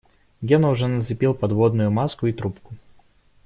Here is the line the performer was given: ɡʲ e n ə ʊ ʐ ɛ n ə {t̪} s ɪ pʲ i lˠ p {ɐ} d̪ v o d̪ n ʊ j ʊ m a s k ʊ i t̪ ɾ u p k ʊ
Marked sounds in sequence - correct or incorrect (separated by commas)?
correct, correct